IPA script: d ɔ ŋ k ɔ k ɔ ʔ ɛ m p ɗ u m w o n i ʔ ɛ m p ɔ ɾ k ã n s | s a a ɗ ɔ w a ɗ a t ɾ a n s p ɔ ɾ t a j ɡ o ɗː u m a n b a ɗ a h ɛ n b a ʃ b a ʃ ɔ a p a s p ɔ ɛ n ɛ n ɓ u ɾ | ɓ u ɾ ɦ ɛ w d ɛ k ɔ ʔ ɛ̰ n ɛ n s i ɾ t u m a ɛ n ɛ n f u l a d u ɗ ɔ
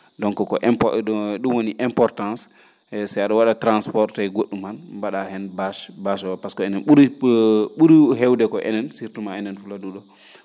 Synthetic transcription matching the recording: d ɔ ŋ k ɔ k ɔ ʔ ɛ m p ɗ u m w o n i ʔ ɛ m p ɔ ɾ t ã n s | s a a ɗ ɔ w a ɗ a t ɾ a n s p ɔ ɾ t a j ɡ o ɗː u m a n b a ɗ a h ɛ n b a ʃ b a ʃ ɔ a p a s k ɔ ɛ n ɛ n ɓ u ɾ | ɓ u ɾ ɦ ɛ w d ɛ k ɔ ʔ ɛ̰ n ɛ n s i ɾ t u m a ɛ n ɛ n f u l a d u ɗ ɔ

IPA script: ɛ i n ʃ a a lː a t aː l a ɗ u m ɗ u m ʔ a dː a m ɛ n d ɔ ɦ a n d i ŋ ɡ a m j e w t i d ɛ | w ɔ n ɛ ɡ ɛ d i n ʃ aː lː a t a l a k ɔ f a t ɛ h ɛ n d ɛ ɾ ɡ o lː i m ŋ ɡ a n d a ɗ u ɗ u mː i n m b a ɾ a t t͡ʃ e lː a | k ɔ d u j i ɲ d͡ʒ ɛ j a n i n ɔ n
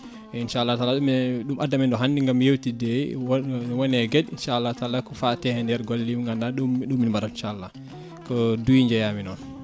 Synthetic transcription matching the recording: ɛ i n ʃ a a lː a t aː l a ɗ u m ɗ u m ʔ a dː a m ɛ n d ɔ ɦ a n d i ŋ ɡ a m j e w t i d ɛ | w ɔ n ɛ ɡ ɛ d i n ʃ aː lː a t a l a k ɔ f a t ɛ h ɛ n d ɛ ɾ ɡ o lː i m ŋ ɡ a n d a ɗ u ɗ u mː i n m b a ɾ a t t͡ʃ a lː a | k ɔ d u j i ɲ d͡ʒ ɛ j a m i n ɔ n

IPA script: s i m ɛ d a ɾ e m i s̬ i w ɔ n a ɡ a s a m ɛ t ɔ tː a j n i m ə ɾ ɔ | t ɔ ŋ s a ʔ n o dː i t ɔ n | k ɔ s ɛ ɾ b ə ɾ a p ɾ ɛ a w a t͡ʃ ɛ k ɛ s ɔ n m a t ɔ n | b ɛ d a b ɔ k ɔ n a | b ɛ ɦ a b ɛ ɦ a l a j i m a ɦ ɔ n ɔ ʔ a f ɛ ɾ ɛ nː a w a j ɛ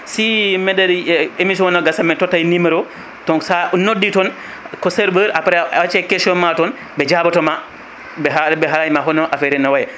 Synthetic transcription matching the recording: s i m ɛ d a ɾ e m i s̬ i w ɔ n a ɡ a s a m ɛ t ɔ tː a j n i m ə ɾ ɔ | t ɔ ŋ s a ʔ n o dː i t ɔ n | k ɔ s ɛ ɾ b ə ɾ a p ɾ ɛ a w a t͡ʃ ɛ k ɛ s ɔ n m a t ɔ n | b ɛ d͡ʒ a b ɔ t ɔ m a | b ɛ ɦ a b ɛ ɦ a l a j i m a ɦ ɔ n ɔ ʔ a f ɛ ɾ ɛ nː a w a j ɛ

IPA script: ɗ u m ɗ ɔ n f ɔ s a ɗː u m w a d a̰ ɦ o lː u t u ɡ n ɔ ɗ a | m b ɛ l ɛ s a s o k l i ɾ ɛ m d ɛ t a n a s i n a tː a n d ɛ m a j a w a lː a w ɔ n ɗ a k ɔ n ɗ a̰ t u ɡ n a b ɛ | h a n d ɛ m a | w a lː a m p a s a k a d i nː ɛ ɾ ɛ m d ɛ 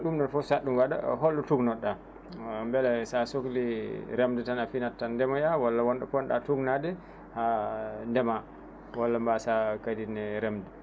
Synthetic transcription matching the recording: ɗ u m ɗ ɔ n f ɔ s a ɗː u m w a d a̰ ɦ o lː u t u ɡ n ɔ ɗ a | m b ɛ l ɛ s a s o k l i ɾ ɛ m d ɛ t a n a f i n a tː a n d ɛ m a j a w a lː a w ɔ n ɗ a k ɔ n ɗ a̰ t u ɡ n a d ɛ | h a n d ɛ m a | w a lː a m b a s a k a d i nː ɛ ɾ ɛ m d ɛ

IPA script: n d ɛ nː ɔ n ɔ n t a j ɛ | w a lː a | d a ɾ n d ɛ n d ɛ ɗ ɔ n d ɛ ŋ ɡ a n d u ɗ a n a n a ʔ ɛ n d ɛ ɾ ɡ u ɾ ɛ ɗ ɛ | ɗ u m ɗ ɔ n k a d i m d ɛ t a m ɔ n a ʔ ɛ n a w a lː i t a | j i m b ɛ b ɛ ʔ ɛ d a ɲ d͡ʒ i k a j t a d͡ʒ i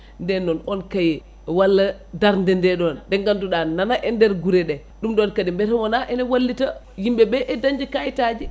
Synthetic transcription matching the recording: n d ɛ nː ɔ n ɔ n k a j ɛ | w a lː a | d a ɾ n d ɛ n d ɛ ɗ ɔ n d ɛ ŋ ɡ a n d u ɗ a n a n a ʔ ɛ n d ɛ ɾ ɡ u ɾ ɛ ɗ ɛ | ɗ u m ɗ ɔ n k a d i m b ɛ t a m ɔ n a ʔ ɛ n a w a lː i t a | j i m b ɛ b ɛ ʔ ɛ d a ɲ d͡ʒ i k a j t a d͡ʒ i

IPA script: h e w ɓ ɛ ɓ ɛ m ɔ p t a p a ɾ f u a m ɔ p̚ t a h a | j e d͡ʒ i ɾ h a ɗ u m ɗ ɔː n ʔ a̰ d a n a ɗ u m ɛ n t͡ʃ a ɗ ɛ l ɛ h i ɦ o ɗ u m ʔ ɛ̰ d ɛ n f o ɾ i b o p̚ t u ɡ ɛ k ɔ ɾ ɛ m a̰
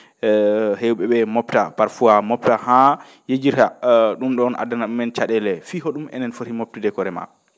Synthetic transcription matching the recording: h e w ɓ ɛ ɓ ɛ m ɔ p t a p a ɾ f u a m ɔ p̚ t a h a | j e d͡ʒ i ɾ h a ɗ u m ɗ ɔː n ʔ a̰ d a n a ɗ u m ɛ n t͡ʃ a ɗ ɛ l ɛ f i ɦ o ɗ u m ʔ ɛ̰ n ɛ n f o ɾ i m o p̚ t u d ɛ k ɔ ɾ ɛ m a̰

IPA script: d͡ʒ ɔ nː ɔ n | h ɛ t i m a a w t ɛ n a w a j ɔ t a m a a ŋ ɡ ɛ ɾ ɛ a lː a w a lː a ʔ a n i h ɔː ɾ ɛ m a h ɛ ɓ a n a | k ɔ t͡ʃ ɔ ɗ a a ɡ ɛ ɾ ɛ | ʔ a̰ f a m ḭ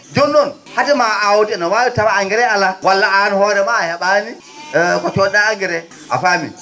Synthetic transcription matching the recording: d͡ʒ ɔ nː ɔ n | h a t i m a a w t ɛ n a w a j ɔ t a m a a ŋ ɡ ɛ ɾ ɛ a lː a w a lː a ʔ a n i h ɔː ɾ ɛ m a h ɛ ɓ a n i | k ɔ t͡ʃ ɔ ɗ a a ɡ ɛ ɾ ɛ | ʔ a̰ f a m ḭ

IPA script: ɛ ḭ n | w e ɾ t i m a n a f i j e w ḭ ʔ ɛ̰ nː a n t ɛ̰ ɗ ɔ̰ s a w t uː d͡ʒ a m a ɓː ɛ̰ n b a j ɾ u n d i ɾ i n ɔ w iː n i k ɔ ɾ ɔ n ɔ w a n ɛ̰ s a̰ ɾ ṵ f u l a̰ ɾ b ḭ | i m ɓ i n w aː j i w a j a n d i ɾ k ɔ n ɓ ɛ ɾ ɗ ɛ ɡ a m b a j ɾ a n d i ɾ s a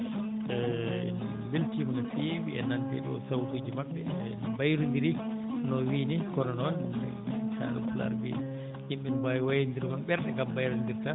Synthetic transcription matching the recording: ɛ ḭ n | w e l t i m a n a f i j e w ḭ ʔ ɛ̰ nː a n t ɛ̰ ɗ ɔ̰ s a w t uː d͡ʒ i m a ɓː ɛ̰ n b a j ɾ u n d i ɾ i n ɔ w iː n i k ɔ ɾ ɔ n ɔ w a n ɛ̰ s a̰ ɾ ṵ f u l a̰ ɾ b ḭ | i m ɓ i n b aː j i w a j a n d i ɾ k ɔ n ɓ ɛ ɾ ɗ ɛ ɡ a m b a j ɾ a n d i ɾ t a

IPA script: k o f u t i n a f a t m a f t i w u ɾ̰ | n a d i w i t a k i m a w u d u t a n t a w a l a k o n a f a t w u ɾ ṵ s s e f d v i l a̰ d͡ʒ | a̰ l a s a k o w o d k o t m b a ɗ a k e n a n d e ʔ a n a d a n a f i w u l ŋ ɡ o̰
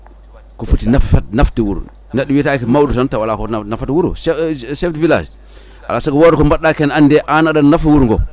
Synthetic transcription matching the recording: k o f u t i n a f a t n a f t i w u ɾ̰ | n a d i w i t a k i m a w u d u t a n t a w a l a k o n a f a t w u ɾ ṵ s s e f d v i l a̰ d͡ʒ | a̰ l a s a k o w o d k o m b a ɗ a k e n a n d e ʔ a n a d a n a f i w u ɾ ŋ ɡ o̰

